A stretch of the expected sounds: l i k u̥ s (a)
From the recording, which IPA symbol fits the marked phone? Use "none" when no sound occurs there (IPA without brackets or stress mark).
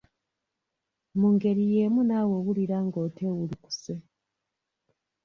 e